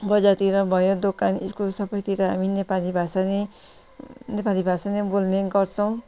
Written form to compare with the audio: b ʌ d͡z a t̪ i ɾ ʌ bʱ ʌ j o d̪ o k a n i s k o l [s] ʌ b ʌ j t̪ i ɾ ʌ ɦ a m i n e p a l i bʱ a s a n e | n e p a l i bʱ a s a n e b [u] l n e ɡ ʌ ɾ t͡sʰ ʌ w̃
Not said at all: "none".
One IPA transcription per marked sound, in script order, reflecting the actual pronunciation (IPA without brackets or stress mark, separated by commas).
s, o